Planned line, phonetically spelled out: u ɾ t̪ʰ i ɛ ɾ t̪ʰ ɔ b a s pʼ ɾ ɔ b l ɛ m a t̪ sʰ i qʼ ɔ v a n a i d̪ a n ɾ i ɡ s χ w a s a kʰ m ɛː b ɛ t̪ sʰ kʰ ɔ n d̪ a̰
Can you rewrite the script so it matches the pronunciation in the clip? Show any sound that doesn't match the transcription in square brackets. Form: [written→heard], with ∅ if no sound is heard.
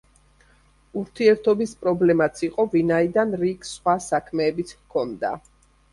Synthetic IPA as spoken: u ɾ t̪ʰ i ɛ ɾ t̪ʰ ɔ b [a→i] s pʼ ɾ ɔ b l ɛ m a t̪ sʰ i qʼ ɔ v [a→i] n a i d̪ a n ɾ i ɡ s χ w a s a kʰ m ɛː b [ɛ→i] t̪ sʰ kʰ ɔ n d̪ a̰